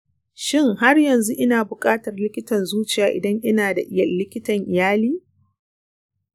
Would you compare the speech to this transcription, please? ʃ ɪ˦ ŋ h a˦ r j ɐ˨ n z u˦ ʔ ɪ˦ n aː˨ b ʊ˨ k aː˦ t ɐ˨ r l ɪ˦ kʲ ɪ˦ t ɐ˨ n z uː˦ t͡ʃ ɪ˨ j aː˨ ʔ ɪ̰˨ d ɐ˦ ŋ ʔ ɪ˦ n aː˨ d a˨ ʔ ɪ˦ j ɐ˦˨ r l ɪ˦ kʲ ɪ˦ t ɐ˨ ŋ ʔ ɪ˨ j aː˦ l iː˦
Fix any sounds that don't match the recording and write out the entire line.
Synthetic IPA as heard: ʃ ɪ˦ ŋ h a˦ r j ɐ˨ n z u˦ ʔ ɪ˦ n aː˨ b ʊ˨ kʼ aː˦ t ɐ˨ r l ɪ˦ kʲ ɪ˦ t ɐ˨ n z uː˦ t͡ʃ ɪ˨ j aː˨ ʔ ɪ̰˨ d ɐ˦ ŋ ʔ ɪ˦ n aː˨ d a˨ ʔ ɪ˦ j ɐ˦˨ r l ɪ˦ kʲ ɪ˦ t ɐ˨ ŋ ʔ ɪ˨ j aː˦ l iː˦